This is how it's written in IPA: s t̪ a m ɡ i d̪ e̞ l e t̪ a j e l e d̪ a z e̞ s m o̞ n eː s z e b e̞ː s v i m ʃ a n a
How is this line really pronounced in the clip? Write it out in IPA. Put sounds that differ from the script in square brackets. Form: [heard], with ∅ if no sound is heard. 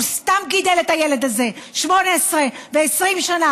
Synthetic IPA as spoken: s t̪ a m ɡ i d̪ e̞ l e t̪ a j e l e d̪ a z e̞ [ʃ] m o̞ n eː s [ʁ] e [v] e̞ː s [ʁ] i m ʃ a n a